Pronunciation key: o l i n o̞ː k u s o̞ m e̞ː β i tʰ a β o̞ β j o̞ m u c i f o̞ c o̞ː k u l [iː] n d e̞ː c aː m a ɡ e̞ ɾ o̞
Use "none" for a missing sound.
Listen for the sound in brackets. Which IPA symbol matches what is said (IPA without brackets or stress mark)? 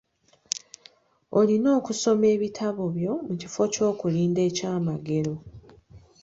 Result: iː